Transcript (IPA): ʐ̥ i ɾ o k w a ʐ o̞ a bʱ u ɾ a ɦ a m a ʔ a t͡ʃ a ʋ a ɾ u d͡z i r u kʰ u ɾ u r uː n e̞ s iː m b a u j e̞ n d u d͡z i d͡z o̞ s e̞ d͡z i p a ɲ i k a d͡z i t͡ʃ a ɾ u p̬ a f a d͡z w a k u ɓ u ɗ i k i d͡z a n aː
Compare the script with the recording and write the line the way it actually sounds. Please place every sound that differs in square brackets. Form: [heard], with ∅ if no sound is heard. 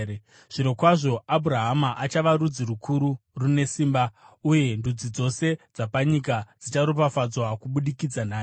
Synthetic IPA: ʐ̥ i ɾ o k w a ʐ o̞ a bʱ u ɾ a ɦ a m a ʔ a t͡ʃ a ʋ a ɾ u d͡z i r u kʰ u ɾ u r [u] n e̞ s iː m b a u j e̞ n d u d͡z i d͡z o̞ s e̞ d͡z [a] p a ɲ i k a d͡z i t͡ʃ a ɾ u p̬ a f a d͡z w a k u ɓ u ɗ i k i d͡z a n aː